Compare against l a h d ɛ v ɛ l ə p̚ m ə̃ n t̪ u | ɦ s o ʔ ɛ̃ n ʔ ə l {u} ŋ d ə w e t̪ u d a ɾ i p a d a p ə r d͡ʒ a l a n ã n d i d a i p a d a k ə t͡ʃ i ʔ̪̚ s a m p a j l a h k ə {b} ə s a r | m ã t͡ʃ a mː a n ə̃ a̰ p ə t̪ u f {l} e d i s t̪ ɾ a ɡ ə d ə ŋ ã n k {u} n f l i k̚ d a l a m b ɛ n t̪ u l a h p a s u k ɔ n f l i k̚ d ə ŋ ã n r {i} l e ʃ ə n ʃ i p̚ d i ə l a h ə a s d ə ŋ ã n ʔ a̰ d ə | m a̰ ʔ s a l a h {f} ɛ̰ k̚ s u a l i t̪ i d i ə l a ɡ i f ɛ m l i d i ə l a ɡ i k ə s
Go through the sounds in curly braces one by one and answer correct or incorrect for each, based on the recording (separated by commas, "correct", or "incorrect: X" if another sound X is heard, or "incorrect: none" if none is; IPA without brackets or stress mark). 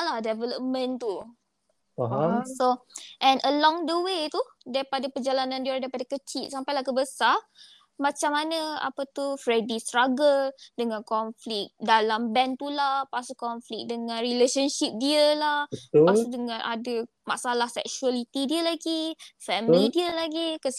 incorrect: ɔ, correct, incorrect: ɾ, incorrect: ɔ, correct, incorrect: s